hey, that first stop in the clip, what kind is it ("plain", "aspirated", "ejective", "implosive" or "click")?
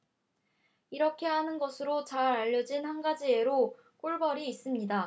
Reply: aspirated